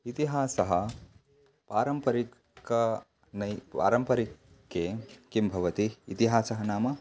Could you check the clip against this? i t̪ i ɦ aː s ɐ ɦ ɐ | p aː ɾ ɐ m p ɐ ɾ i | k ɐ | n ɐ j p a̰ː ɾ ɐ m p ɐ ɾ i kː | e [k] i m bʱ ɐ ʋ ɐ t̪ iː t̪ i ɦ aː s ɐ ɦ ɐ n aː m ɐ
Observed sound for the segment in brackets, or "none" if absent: k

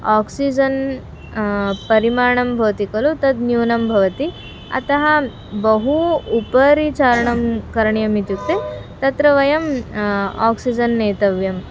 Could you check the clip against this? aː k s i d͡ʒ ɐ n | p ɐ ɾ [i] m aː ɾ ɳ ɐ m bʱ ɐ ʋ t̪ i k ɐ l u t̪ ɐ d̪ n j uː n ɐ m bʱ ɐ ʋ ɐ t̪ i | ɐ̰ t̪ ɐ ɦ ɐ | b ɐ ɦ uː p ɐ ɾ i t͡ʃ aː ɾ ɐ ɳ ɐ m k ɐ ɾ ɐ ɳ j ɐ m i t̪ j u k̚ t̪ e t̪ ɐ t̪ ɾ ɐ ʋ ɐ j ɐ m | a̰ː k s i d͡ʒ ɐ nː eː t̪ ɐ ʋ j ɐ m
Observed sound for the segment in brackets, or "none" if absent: i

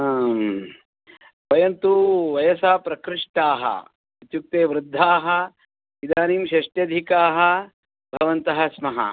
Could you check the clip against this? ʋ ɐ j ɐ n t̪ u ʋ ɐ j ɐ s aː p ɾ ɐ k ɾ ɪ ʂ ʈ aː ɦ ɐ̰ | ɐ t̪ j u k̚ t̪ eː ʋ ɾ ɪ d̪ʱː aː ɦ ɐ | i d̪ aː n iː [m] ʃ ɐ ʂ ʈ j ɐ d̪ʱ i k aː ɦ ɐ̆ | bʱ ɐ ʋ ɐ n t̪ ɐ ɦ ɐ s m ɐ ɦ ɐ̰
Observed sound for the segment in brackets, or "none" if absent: m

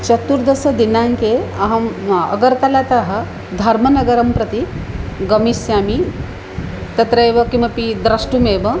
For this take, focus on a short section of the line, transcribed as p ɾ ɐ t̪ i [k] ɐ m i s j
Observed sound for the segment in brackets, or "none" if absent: ɡ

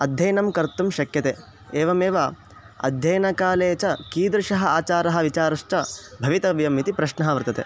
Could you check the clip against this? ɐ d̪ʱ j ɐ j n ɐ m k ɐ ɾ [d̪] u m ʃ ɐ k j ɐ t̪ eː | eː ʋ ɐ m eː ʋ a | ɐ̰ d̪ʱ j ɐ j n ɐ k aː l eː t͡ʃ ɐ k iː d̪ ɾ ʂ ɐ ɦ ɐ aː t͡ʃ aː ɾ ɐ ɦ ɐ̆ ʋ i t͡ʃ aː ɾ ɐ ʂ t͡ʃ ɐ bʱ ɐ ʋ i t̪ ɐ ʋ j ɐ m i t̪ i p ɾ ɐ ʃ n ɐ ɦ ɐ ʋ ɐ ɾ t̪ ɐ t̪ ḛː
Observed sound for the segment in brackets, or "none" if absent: t̪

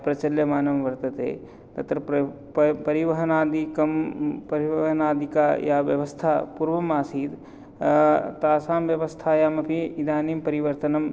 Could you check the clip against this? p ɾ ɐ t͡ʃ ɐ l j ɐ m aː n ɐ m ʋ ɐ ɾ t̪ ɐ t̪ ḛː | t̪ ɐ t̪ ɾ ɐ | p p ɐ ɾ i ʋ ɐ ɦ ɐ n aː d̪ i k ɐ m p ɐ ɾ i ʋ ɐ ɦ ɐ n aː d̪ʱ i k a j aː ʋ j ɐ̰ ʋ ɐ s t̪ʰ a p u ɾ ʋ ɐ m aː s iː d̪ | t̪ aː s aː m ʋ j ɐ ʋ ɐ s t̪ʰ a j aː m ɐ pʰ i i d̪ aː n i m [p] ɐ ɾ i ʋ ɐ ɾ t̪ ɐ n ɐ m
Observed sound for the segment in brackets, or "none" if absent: p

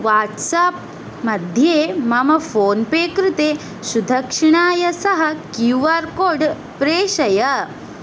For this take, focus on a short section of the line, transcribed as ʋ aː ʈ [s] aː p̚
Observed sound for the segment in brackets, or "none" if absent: s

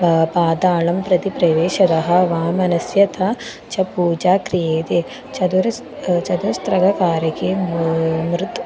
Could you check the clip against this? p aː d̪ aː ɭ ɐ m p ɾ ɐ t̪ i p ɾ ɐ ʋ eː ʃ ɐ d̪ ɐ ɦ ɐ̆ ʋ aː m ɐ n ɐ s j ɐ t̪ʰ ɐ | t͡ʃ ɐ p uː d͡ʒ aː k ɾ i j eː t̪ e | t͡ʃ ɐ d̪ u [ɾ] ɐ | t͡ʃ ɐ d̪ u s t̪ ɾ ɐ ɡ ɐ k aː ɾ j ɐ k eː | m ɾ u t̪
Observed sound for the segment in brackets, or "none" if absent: ɾ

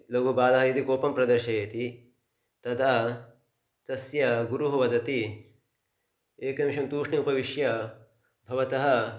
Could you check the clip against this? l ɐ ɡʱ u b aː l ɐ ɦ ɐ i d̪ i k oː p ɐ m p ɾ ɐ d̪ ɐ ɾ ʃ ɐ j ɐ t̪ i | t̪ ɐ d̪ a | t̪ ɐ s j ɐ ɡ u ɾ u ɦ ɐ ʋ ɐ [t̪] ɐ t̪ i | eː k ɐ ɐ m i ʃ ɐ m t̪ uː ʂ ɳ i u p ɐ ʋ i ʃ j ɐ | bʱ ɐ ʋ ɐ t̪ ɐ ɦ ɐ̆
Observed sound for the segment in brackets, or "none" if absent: d̪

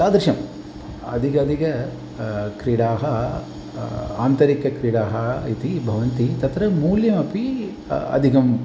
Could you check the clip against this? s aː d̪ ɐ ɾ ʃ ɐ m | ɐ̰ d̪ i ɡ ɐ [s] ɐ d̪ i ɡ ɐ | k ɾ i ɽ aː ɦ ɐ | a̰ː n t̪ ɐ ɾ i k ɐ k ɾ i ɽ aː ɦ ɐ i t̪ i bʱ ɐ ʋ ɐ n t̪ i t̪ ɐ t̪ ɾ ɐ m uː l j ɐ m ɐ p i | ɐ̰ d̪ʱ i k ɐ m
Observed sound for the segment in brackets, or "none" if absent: none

